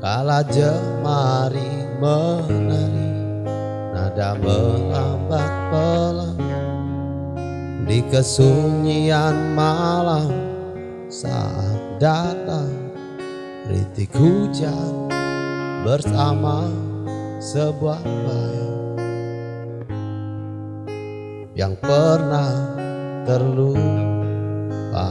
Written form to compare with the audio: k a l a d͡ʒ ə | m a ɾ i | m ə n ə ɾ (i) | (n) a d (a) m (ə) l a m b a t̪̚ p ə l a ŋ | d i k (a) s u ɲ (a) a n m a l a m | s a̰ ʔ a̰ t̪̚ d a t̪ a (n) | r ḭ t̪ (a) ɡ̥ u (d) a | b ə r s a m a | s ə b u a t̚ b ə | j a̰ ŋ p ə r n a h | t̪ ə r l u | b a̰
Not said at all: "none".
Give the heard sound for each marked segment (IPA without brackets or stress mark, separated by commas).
i, n, a, ə, ə, i, ŋ, i, d͡ʒ